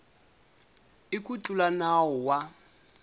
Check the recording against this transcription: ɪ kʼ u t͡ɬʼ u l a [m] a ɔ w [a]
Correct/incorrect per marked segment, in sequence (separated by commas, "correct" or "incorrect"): incorrect, correct